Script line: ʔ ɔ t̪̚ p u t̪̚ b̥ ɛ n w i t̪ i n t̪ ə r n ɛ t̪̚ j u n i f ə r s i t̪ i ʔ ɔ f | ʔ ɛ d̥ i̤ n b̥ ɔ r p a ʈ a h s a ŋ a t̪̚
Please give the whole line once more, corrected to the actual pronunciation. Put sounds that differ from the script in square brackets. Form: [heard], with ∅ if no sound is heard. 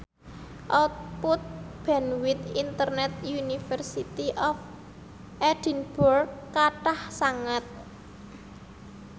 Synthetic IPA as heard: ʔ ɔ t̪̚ p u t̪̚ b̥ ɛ n w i t̪ i n t̪ ə r n ɛ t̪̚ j u n i f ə r s i t̪ i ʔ ɔ f | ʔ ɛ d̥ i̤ n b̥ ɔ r [k] a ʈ a h s a ŋ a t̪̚

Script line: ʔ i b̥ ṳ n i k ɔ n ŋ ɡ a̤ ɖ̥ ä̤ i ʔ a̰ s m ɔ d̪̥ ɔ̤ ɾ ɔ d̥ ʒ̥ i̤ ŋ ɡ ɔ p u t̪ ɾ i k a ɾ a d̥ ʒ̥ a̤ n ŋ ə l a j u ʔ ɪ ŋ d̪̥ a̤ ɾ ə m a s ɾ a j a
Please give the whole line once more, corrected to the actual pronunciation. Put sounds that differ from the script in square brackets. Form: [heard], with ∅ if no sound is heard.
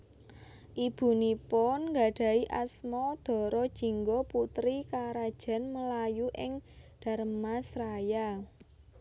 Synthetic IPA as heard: ʔ i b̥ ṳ n i [p] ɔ n ŋ ɡ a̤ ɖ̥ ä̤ i ʔ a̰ s m ɔ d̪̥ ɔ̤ ɾ ɔ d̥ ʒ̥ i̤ ŋ ɡ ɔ p u t̪ ɾ i k a ɾ a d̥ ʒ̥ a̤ n [m] ə l a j u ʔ ɪ ŋ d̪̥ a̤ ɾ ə m a s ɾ a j a

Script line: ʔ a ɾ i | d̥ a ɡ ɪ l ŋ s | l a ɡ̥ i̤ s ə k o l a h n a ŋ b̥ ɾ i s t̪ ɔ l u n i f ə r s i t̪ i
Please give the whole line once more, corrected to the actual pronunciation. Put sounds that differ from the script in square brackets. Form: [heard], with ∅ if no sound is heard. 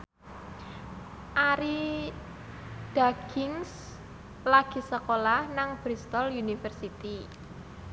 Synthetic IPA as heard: ʔ a ɾ i | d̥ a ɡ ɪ [∅] ŋ s | l a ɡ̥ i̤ s ə k o l a h n a ŋ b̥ ɾ i s t̪ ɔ l u n i f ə r s i t̪ i

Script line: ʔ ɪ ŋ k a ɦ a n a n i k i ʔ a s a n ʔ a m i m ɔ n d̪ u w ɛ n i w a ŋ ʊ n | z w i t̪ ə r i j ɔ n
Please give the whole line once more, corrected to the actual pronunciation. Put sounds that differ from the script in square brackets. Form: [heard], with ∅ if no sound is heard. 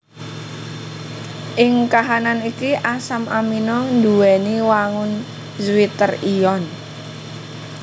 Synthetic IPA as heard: ʔ ɪ ŋ k a ɦ a n a n i k i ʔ a s a [m] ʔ a m i [n] ɔ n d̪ u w ɛ n i w a ŋ ʊ n | z w i t̪ ə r i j ɔ n

